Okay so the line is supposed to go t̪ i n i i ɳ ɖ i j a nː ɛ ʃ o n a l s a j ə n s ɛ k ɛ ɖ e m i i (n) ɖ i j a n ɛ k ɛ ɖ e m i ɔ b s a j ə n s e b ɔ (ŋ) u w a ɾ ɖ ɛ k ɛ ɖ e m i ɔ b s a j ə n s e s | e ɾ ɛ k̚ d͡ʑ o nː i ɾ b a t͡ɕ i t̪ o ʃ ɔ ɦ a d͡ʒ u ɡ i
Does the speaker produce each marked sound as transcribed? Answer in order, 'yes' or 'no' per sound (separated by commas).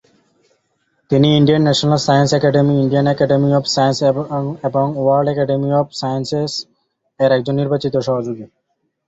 no, yes